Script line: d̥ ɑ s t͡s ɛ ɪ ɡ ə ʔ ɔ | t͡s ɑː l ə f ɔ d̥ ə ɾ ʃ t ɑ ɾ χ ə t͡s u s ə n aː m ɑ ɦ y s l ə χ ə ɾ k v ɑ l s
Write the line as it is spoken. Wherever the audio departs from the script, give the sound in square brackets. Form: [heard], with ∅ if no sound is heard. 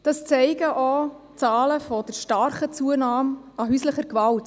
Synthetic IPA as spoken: d̥ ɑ s t͡s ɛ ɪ ɡ ə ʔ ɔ | t͡s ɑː l ə f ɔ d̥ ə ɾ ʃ t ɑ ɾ χ ə t͡s u [∅] ə n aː m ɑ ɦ y s l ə χ ə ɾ k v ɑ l [t]